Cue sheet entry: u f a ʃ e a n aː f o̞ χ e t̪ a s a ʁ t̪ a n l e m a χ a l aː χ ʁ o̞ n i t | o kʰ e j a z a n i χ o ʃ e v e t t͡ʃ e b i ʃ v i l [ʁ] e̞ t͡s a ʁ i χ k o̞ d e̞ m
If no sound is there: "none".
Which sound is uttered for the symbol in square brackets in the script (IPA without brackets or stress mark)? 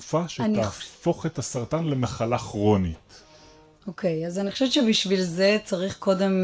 z